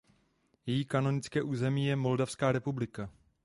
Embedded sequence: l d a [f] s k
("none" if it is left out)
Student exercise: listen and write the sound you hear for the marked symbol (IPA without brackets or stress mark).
f